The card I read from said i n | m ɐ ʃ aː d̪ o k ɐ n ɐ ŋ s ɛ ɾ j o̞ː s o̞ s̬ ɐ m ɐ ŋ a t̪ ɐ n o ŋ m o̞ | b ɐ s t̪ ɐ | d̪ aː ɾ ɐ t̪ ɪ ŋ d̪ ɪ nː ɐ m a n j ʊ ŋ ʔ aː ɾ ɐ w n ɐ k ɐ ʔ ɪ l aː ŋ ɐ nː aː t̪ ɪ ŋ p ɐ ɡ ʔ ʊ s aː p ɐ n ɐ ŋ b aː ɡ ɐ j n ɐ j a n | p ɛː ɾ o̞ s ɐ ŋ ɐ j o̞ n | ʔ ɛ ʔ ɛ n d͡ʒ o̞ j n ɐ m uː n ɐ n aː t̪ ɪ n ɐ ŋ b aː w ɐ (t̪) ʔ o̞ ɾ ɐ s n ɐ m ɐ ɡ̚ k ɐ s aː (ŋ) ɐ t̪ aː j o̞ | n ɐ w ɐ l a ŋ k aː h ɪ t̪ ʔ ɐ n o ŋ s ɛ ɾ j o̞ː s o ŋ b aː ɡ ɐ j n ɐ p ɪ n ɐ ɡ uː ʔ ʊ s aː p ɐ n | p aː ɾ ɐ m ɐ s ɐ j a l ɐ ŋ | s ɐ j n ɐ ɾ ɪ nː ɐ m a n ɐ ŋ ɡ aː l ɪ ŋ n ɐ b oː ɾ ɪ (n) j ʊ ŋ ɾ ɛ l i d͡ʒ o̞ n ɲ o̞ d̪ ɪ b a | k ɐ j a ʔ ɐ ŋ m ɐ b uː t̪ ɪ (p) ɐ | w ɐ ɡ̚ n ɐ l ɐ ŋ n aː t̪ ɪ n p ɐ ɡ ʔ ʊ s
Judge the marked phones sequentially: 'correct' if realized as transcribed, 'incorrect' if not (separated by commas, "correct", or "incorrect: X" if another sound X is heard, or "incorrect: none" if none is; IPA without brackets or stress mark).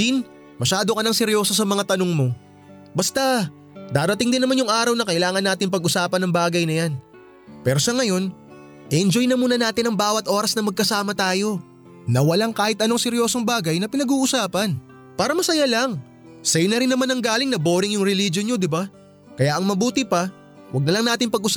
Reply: correct, incorrect: m, incorrect: ŋ, correct